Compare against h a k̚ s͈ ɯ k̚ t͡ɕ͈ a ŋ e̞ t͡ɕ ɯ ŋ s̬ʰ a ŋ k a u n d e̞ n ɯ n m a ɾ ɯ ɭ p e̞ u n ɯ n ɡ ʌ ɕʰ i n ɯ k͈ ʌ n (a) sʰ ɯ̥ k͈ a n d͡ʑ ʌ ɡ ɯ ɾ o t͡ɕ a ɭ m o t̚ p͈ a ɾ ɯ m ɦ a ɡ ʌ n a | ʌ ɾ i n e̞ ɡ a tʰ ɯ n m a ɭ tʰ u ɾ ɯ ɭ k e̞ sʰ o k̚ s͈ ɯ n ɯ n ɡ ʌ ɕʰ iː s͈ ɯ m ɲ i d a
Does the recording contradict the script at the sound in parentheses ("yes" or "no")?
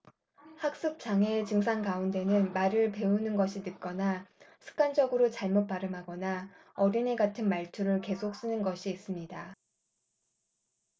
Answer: no